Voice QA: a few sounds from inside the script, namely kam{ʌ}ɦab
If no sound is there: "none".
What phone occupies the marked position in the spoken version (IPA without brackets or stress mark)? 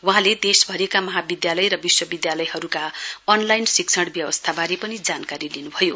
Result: ʌ